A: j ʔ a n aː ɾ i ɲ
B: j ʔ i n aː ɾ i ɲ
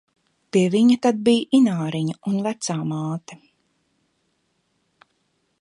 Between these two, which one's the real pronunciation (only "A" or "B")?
B